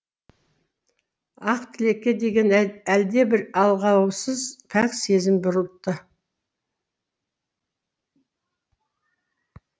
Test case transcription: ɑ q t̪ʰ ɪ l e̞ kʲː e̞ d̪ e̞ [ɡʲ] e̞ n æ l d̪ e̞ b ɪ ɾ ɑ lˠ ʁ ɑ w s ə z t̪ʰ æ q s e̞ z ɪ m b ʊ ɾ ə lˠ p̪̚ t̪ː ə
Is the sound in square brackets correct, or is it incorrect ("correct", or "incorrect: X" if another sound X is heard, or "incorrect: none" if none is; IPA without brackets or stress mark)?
correct